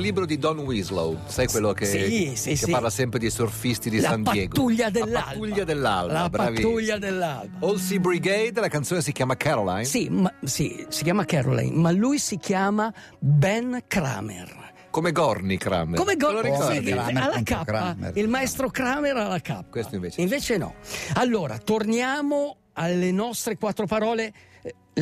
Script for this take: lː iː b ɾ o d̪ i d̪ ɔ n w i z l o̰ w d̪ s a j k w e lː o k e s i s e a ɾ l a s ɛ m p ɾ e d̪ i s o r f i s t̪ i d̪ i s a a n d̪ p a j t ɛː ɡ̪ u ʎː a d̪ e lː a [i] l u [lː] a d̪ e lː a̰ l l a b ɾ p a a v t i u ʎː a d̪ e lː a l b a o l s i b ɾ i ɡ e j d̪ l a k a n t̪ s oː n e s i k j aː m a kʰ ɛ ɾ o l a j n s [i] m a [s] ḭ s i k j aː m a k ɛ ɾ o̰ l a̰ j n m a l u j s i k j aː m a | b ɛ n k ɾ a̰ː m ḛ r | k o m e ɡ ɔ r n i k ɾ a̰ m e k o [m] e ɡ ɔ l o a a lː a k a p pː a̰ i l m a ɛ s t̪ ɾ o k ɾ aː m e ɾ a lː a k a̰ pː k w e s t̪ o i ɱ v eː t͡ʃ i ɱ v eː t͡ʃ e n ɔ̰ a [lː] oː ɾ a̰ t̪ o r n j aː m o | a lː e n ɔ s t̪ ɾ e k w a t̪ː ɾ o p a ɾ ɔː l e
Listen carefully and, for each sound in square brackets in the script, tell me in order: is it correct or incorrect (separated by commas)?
incorrect, incorrect, correct, correct, correct, correct